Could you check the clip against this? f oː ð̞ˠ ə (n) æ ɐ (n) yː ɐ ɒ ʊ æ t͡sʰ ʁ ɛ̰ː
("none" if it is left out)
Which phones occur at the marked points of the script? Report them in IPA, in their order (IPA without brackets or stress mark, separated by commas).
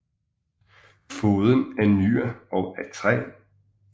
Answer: n, n